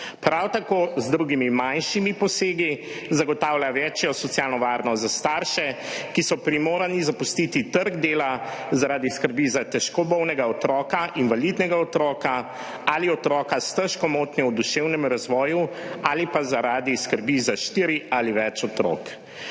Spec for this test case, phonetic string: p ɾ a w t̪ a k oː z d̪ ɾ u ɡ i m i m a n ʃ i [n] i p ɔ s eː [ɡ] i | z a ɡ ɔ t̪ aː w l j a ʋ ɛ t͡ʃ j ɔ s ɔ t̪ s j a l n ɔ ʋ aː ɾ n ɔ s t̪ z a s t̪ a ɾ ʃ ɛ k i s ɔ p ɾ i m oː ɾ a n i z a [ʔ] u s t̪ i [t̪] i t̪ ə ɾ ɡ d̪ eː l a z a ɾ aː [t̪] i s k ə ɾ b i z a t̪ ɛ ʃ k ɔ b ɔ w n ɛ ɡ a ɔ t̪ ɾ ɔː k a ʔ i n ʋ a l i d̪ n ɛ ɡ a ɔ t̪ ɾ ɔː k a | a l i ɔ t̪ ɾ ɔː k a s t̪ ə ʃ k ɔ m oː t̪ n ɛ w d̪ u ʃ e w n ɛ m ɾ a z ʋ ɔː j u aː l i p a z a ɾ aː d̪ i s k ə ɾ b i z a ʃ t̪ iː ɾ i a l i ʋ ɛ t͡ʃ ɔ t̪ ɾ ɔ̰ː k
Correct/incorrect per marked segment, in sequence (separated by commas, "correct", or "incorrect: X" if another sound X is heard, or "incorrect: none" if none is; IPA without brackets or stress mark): incorrect: m, correct, incorrect: p, correct, incorrect: d̪